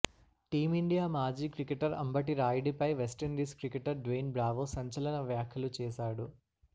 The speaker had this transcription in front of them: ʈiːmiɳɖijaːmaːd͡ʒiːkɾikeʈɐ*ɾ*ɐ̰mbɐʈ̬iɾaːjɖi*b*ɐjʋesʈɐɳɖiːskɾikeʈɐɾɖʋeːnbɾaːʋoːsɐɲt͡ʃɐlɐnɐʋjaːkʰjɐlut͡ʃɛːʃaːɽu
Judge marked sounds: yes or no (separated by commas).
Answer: yes, no